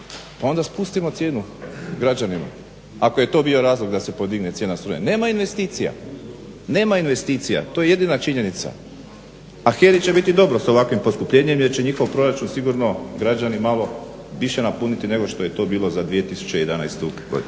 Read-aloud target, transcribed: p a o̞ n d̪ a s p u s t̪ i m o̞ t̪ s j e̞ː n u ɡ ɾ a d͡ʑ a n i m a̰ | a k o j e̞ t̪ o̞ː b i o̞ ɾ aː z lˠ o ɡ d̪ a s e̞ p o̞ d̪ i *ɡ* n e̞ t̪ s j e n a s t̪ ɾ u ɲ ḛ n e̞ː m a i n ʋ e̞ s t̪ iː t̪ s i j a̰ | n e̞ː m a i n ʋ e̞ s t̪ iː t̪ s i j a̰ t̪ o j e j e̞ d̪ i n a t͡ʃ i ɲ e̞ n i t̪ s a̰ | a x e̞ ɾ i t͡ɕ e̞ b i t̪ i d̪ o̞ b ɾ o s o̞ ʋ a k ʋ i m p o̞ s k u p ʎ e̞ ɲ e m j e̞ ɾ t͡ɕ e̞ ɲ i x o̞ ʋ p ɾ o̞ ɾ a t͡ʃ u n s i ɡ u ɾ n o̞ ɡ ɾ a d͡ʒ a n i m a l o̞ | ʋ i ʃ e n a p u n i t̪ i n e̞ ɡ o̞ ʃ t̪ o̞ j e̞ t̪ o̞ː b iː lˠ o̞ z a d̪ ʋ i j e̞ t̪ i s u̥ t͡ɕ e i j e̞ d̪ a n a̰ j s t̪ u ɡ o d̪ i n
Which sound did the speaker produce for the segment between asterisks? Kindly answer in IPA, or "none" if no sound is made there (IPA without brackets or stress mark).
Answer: ɡ